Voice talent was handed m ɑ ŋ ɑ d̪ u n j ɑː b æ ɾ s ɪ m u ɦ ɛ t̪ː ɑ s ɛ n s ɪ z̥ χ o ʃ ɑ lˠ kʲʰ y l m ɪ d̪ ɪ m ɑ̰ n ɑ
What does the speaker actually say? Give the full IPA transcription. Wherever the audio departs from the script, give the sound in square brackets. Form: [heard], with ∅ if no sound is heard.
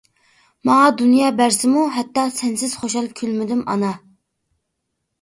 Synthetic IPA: m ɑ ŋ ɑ d̪ u n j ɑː b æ ɾ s ɪ m u ɦ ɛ t̪ː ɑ s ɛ n s ɪ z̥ χ o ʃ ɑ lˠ kʲʰ y l m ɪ d̪ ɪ m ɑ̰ n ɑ

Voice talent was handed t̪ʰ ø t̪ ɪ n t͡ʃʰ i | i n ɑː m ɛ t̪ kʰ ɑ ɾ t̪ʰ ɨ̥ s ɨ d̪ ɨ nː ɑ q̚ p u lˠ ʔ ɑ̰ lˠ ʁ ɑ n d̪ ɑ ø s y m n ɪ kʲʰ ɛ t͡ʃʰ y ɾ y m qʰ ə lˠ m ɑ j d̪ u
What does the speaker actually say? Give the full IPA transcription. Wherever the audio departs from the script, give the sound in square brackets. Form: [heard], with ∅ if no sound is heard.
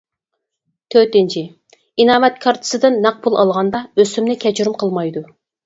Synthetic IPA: t̪ʰ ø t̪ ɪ n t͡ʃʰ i | i n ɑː m ɛ t̪ kʰ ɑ ɾ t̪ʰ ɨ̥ s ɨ d̪ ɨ nː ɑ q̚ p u lˠ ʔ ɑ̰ lˠ ʁ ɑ n d̪ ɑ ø s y m n ɪ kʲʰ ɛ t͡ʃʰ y ɾ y m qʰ ə lˠ m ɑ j d̪ u

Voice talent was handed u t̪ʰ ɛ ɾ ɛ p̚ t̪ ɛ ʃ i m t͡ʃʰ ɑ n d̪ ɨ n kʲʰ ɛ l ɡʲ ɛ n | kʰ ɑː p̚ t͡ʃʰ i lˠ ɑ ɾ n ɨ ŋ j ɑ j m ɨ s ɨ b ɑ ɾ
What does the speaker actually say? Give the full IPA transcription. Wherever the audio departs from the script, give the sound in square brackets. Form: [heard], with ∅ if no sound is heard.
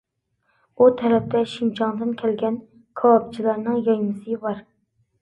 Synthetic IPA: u t̪ʰ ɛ ɾ ɛ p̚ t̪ ɛ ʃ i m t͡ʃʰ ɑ [ŋ] d̪ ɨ n kʲʰ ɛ l ɡʲ ɛ n | kʰ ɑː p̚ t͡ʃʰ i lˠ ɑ ɾ n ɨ ŋ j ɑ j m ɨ s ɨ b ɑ ɾ

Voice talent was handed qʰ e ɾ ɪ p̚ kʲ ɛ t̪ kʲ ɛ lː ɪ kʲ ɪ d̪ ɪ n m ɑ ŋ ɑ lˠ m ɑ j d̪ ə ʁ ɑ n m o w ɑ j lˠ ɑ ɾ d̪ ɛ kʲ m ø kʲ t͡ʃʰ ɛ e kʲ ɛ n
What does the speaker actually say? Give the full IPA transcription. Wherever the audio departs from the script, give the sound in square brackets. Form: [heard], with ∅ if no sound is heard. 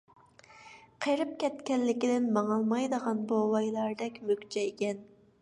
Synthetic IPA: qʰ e ɾ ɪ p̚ kʲ ɛ t̪ kʲ ɛ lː ɪ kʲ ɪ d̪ ɪ n m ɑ ŋ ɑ lˠ m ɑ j d̪ ə ʁ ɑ n [b] o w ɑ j lˠ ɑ ɾ d̪ ɛ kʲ m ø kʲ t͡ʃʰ ɛ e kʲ ɛ n

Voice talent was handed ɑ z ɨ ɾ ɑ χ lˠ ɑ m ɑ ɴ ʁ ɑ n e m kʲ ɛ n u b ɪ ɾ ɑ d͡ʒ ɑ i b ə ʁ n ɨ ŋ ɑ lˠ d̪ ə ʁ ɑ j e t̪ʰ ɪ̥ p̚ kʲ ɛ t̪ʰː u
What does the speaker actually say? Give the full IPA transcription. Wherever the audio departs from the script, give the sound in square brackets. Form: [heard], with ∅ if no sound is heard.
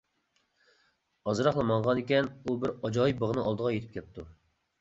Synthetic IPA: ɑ z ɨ ɾ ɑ χ lˠ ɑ m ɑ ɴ ʁ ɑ n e [∅] kʲ ɛ n u b ɪ ɾ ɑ d͡ʒ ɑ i b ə ʁ n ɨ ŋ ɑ lˠ d̪ ə ʁ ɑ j e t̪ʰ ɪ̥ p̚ kʲ ɛ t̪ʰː u

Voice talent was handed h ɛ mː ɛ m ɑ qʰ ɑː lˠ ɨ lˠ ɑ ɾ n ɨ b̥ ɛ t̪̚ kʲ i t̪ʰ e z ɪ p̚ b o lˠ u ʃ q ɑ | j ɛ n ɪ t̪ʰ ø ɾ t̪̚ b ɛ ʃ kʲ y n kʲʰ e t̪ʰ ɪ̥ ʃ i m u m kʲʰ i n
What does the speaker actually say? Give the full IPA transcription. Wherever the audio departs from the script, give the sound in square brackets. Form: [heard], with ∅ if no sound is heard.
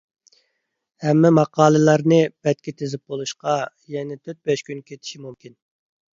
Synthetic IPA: h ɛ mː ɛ m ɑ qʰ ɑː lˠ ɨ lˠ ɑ ɾ n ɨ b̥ ɛ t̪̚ kʲ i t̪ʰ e z ɪ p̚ b o lˠ u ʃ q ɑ | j ɛ n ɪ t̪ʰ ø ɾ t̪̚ b ɛ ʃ kʲ y n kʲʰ e t̪ʰ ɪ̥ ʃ i m u m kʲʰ i n

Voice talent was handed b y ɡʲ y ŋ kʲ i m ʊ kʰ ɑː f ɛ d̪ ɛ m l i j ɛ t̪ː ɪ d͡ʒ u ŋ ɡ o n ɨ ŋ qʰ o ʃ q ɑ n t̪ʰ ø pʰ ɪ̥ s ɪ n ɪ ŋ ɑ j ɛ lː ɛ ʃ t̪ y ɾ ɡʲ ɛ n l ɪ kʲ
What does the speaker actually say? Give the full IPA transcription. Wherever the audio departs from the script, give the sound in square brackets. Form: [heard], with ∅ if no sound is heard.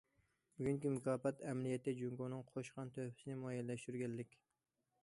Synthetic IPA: b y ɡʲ y ŋ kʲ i m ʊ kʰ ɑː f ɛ [t̪] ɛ m l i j ɛ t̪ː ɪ d͡ʒ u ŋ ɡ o n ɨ ŋ qʰ o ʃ q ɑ n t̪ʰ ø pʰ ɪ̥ s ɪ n ɪ [m] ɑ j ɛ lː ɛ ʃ t̪ y ɾ ɡʲ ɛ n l ɪ kʲ

